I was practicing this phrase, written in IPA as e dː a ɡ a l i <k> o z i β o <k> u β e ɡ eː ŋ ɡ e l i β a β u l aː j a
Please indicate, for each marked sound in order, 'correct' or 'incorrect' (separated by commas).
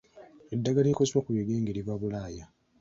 correct, correct